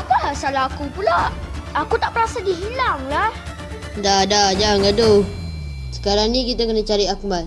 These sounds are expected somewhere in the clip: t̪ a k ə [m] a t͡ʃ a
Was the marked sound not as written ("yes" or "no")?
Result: yes